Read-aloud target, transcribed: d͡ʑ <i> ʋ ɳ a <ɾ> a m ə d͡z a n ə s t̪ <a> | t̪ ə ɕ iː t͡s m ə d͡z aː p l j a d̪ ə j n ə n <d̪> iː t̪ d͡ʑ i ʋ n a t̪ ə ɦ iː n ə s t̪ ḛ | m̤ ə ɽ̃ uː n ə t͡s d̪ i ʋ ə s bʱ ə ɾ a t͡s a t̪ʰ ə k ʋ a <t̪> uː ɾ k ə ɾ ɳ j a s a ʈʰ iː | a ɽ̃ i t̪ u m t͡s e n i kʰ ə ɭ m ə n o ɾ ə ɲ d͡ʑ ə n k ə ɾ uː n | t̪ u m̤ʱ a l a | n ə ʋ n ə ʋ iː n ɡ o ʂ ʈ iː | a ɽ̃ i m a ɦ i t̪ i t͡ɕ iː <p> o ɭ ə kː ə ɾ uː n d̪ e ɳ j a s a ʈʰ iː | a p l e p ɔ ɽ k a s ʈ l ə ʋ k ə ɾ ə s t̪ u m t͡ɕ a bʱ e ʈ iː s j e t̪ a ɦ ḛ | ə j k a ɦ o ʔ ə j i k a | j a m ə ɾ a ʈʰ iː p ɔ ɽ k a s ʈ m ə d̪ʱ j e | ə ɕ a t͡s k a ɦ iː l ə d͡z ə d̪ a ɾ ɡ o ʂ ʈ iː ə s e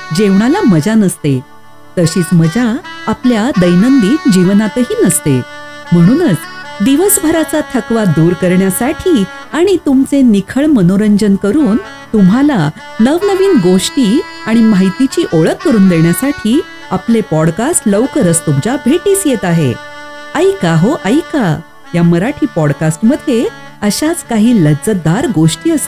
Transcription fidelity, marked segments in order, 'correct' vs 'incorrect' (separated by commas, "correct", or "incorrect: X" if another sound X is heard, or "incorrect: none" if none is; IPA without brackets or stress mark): incorrect: e, incorrect: l, incorrect: e, correct, incorrect: d̪, incorrect: ʔ